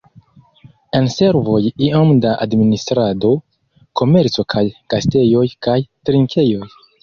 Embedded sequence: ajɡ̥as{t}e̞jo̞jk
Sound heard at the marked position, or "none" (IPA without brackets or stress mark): t